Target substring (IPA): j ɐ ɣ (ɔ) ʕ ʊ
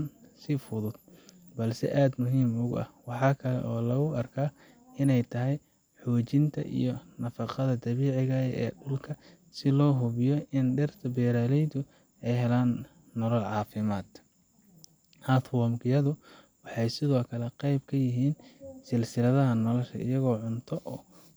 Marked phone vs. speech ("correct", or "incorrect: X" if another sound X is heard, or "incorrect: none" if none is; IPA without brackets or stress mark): incorrect: ɔː